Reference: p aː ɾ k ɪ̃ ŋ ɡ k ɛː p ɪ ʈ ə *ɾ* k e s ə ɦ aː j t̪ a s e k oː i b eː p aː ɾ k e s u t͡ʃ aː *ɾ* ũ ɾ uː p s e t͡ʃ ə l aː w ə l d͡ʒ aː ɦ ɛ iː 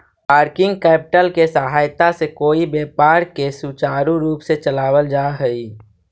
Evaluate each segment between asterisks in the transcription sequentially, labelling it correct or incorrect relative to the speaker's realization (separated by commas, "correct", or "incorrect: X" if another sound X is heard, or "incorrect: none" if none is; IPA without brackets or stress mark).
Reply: incorrect: l, correct